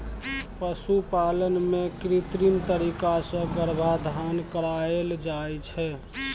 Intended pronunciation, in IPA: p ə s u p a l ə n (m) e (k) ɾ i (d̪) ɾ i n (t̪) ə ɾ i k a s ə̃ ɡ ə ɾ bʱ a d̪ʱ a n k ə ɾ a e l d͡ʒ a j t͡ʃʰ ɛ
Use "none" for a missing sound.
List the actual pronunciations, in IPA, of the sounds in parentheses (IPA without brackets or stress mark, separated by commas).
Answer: m, k, t̪, t̪